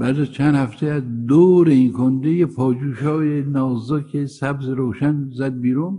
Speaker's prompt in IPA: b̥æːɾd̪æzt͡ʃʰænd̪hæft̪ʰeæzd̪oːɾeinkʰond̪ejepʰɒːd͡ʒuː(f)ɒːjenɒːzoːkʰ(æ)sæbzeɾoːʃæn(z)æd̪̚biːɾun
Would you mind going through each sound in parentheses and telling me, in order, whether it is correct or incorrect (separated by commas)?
incorrect, incorrect, correct